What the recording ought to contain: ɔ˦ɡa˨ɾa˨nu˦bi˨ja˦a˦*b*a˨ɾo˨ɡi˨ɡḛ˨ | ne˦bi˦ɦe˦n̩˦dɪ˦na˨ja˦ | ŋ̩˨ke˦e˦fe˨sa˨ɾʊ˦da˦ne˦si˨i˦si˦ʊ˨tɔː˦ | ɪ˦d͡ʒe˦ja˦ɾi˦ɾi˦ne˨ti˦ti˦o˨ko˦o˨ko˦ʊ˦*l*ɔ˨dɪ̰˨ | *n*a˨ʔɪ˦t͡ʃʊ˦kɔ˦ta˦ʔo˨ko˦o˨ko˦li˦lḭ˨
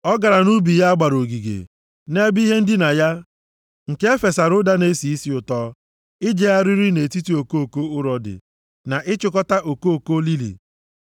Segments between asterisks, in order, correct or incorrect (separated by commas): incorrect, incorrect, correct